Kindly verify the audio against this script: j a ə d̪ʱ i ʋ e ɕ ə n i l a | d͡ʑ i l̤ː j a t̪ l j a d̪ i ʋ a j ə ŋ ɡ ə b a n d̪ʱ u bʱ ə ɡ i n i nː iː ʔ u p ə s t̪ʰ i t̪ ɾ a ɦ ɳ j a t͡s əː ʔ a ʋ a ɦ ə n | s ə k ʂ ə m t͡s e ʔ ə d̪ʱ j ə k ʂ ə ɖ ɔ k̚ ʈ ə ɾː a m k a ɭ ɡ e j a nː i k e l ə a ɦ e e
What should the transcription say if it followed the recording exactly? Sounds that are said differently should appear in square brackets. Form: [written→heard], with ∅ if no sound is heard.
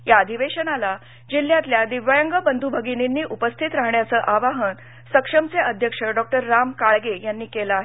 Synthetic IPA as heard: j a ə d̪ʱ i ʋ e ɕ ə n [i→a] l a | d͡ʑ i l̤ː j a t̪ l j a d̪ i ʋ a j ə ŋ ɡ ə b [a→ə] n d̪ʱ u bʱ ə ɡ i n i nː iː ʔ u p ə s t̪ʰ i t̪ ɾ a ɦ ɳ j a t͡s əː ʔ a ʋ a ɦ ə n | s ə k ʂ ə m t͡s e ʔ ə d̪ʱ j ə k ʂ ə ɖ ɔ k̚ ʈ ə ɾː a m k a ɭ ɡ e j a nː [i→iː] k e l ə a ɦ e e

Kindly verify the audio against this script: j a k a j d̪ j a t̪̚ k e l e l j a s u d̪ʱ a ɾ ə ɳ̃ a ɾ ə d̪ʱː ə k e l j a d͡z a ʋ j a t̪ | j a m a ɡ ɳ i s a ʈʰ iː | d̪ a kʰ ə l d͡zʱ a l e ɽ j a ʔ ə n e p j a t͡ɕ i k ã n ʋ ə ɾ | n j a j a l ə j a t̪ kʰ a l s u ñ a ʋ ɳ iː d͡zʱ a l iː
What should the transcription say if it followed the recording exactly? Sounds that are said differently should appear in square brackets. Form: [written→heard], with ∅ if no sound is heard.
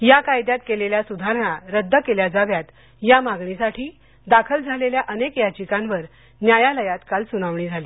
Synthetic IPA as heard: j a k a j d̪ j a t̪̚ k e l e l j a s u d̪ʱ a ɾ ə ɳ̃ a ɾ ə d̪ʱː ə k e l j a d͡z a ʋ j a t̪ | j a m a ɡ ɳ i s a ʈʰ iː | d̪ a kʰ ə l d͡zʱ a l e [ɽ→l] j a ʔ ə n e [p→k] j a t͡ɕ i k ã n ʋ ə ɾ | n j a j a l ə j a t̪ [kʰ→k] a l s u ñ a ʋ ɳ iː d͡zʱ a l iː

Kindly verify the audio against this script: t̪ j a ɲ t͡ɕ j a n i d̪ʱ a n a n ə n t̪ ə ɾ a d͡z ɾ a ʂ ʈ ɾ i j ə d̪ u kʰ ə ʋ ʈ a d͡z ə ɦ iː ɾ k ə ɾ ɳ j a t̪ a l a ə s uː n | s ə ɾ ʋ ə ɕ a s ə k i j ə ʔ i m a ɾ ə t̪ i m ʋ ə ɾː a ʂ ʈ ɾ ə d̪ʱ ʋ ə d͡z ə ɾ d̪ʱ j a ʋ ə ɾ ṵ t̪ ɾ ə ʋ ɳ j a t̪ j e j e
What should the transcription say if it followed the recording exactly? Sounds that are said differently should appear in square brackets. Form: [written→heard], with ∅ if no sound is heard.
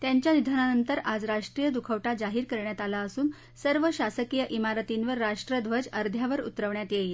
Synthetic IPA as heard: t̪ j a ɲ t͡ɕ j a n i d̪ʱ a n a n ə n t̪ ə ɾ a d͡z ɾ a ʂ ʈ ɾ i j ə d̪ u kʰ ə ʋ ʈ a d͡z [ə→a] ɦ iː ɾ k ə ɾ ɳ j a t̪ a l a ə s uː n | s ə ɾ ʋ ə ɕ a s ə k i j ə ʔ i m a ɾ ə t̪ i [m→n] ʋ ə ɾː a ʂ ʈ ɾ ə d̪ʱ ʋ ə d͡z ə ɾ d̪ʱ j a ʋ ə ɾ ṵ t̪ ɾ ə ʋ ɳ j a t̪ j e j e

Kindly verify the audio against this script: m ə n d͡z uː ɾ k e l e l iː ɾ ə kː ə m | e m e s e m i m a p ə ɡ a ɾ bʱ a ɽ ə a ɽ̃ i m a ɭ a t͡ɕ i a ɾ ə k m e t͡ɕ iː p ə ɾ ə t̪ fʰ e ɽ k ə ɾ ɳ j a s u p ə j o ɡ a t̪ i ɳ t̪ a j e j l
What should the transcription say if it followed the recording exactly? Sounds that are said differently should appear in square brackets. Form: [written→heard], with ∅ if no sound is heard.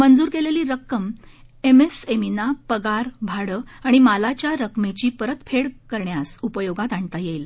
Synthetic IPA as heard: m ə n d͡z uː ɾ k e l e l iː ɾ ə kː ə m | e m e s e m i [m→n] a p ə ɡ a ɾ bʱ a ɽ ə a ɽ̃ i m a [ɭ→l] a t͡ɕ [i→j] a ɾ ə k m e t͡ɕ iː p ə ɾ ə t̪ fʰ e ɽ k ə ɾ ɳ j a s u p ə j o ɡ a t̪ [i→a] ɳ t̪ a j e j l

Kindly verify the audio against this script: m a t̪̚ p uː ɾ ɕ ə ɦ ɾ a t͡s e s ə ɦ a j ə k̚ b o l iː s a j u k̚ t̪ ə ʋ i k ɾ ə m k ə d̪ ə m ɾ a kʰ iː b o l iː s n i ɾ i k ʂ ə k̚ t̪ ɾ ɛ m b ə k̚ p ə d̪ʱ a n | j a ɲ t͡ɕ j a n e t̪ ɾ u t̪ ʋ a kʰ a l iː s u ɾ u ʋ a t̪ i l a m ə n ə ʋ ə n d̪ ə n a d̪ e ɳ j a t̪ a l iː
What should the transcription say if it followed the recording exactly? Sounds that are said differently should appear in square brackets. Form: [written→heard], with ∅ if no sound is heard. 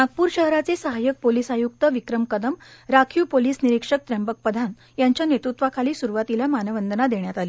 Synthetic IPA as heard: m a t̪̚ p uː ɾ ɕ ə ɦ ɾ a t͡s e s ə ɦ a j ə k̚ [b→p] o l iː s a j u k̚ t̪ ə ʋ i k ɾ ə m k ə d̪ ə m ɾ a kʰ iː [b→p] o l iː s n i ɾ i k ʂ ə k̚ t̪ ɾ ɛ m b ə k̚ p ə d̪ʱ a n | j a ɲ t͡ɕ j a n e t̪ ɾ u t̪ ʋ a kʰ a l iː s u ɾ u ʋ a t̪ i l a m [ə→a] n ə ʋ ə n d̪ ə n a d̪ e ɳ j a t̪ a l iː

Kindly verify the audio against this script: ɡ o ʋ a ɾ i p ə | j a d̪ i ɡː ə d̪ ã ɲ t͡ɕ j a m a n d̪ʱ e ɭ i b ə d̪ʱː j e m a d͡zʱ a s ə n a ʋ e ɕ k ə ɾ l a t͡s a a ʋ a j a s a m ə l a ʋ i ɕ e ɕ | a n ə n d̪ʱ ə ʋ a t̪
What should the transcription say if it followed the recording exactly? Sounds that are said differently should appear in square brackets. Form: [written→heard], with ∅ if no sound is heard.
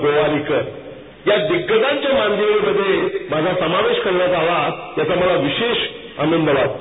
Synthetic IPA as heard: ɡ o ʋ a ɾ i [p→k] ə | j a d̪ i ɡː ə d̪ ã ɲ t͡ɕ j a m a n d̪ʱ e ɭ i [b→m] ə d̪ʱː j e m a d͡zʱ a s ə [n→m] a ʋ e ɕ k ə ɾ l a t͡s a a ʋ a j a [s→t͡s] a m ə l a ʋ i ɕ e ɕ | a n ə n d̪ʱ ə ʋ a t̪

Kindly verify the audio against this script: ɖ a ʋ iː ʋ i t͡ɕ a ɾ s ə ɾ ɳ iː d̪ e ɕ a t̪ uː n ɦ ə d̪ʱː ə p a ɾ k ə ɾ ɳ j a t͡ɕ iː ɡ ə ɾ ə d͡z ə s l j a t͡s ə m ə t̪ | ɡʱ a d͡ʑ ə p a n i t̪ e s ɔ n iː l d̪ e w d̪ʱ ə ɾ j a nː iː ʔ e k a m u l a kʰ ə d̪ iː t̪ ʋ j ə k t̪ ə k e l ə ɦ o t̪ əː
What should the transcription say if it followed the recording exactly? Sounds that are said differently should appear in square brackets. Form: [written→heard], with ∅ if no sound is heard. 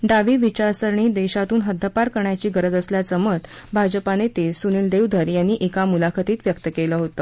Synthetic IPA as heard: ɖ a ʋ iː ʋ i t͡ɕ a ɾ s ə ɾ ɳ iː d̪ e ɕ a t̪ uː n ɦ ə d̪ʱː ə p a ɾ k ə ɾ ɳ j a t͡ɕ iː ɡ ə ɾ ə d͡z ə s l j a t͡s ə m ə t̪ | [ɡʱ→bʱ] a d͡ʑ ə p a n [i→e] t̪ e s [ɔ→u] n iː l d̪ e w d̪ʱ ə ɾ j a nː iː ʔ e k a m u l a kʰ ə [d̪→t̪] iː t̪ ʋ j ə k t̪ ə k e l ə ɦ o t̪ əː

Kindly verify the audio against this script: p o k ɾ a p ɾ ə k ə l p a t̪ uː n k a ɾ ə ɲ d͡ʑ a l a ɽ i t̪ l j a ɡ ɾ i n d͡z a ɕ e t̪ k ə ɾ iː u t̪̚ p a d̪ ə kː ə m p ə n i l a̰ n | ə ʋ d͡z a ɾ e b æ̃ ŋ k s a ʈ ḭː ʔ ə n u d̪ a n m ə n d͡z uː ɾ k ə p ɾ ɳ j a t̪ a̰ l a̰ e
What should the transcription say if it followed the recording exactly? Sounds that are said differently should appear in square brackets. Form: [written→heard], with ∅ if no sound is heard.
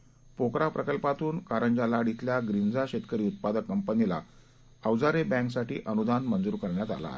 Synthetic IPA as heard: p o k ɾ a p ɾ ə k ə l p a t̪ uː n k a ɾ ə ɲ d͡ʑ a l a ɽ i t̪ l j a ɡ ɾ i n d͡z a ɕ e t̪ k ə ɾ iː u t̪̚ p a d̪ ə kː ə m p ə n i l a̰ [n→∅] | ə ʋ d͡z a ɾ e b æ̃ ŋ k s a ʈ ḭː ʔ ə n u d̪ a n m ə n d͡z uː ɾ k ə [p→∅] ɾ ɳ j a t̪ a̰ l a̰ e

